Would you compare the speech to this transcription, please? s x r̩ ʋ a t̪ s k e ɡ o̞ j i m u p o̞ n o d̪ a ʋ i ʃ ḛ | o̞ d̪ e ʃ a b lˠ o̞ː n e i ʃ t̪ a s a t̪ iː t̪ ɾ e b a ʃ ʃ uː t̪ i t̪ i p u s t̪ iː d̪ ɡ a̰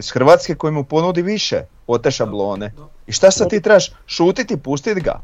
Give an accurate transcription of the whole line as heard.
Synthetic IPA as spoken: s x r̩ ʋ a t̪ s k e k o̞ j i m u p o̞ n u d̪ i ʋ i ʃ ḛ | o̞ t̪ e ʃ a b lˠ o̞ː n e i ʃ t̪ a s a t̪ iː t̪ ɾ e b a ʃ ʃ uː t̪ i t̪ i p u s t̪ i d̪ ɡ a̰